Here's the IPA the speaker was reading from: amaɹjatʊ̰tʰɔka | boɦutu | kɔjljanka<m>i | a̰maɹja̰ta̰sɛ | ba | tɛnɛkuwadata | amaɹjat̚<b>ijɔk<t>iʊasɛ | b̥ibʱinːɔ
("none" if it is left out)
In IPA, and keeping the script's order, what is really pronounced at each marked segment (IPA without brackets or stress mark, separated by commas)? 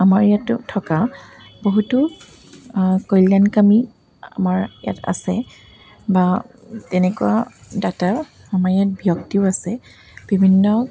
m, b, t